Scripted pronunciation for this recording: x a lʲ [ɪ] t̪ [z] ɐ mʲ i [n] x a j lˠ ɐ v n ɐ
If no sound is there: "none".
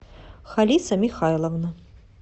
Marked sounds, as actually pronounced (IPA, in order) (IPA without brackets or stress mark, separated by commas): i, s, none